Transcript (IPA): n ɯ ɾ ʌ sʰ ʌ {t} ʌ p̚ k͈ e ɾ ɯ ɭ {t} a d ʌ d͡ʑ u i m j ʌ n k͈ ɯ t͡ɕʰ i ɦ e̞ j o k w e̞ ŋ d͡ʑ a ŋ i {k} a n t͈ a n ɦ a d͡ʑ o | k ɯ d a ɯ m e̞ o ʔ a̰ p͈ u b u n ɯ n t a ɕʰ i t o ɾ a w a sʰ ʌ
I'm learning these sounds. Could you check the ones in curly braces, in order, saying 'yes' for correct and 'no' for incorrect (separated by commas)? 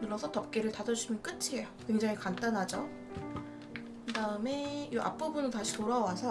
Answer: yes, yes, yes